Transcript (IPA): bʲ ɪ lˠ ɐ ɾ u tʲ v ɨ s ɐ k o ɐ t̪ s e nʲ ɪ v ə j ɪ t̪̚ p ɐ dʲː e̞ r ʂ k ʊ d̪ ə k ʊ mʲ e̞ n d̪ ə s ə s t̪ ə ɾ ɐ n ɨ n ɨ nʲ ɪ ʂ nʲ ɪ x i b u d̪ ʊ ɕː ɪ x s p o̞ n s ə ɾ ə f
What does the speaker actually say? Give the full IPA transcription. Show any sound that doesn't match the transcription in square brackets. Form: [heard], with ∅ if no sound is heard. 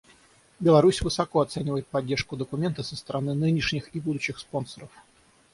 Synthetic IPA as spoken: bʲ ɪ lˠ ɐ ɾ u [sʲ] v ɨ s ɐ k o ɐ t̪ s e nʲ ɪ v ə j ɪ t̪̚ p ɐ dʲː e̞ r ʂ k ʊ d̪ ə k ʊ mʲ e̞ n [t̪] ə s ə s t̪ ə ɾ ɐ n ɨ n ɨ nʲ ɪ ʂ nʲ ɪ x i b u d̪ ʊ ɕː ɪ x s p o̞ n s ə ɾ ə f